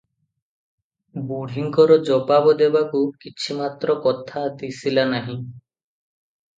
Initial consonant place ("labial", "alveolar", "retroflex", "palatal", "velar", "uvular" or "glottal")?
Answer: labial